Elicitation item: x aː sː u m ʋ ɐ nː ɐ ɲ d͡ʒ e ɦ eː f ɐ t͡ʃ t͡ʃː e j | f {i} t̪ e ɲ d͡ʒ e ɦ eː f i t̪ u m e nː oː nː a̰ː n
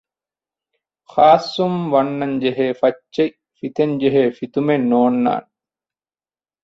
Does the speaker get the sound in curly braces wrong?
no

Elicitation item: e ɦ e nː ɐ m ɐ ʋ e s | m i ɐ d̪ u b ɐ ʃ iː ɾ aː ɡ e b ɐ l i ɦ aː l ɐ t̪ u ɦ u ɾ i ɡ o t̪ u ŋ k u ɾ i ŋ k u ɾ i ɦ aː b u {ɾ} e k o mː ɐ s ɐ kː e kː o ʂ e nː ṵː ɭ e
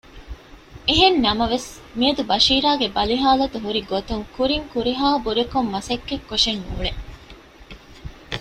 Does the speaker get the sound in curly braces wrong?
no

